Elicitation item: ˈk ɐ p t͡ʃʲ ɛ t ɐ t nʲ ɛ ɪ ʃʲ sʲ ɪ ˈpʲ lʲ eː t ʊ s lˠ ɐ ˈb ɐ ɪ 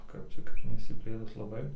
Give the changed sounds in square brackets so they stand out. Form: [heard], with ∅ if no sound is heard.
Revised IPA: ˈk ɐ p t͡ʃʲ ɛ [k] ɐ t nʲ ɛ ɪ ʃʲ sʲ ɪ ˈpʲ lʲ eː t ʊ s lˠ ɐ ˈb ɐ ɪ